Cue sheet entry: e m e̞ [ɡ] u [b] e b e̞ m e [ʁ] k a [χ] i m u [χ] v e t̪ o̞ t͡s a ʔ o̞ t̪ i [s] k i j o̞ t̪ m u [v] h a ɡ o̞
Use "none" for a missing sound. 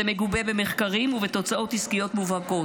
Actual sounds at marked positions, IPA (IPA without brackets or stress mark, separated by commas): ɡ, b, χ, ʁ, none, s, v